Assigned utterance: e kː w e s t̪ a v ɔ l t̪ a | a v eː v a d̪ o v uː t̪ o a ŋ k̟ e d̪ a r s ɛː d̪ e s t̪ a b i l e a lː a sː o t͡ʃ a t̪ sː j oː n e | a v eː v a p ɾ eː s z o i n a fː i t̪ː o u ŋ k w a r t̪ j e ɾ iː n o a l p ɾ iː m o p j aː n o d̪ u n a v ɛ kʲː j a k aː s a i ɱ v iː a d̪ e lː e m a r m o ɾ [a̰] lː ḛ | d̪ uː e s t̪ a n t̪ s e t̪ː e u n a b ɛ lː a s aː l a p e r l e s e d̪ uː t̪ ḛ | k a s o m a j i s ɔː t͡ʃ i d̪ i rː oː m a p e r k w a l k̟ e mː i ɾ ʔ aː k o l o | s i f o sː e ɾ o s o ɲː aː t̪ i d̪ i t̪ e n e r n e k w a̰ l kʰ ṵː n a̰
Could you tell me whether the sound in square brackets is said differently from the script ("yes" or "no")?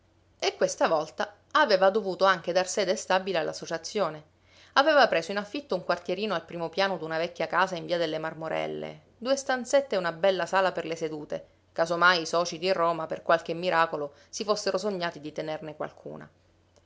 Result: yes